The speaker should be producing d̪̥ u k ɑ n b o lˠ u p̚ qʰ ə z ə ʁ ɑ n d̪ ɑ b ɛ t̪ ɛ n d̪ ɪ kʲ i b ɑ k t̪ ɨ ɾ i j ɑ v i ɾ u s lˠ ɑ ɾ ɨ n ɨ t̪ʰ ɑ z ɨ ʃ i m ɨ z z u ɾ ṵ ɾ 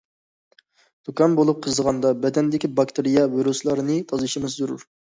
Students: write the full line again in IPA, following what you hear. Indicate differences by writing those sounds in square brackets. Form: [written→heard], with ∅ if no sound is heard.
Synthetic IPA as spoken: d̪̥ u k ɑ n b o lˠ u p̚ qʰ ə z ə ʁ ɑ n d̪ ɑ b ɛ [t̪→d̪] ɛ n d̪ ɪ kʲ i b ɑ k t̪ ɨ ɾ i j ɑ v i ɾ u s lˠ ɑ ɾ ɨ n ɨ t̪ʰ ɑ z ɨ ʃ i m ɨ z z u ɾ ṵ ɾ